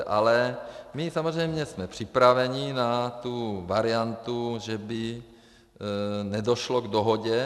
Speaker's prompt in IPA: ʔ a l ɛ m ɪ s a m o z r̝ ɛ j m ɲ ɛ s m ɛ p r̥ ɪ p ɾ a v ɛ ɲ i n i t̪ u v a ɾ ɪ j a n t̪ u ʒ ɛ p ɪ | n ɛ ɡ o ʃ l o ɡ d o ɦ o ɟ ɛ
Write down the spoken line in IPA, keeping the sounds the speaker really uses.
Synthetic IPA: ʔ a l ɛ m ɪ s a m o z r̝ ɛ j m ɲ ɛ s m ɛ p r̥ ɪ p ɾ a v ɛ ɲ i n a t̪ u v a ɾ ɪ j a n t̪ u ʒ ɛ b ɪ | n ɛ d o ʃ l o ɡ d o ɦ o ɟ ɛ